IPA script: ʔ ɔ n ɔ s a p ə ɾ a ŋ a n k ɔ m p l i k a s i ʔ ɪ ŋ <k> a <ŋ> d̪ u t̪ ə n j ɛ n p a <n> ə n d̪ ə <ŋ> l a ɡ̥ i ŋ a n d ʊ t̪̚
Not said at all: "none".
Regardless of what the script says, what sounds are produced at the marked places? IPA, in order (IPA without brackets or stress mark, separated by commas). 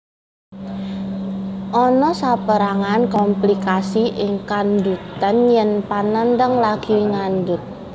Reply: k, n, n, ŋ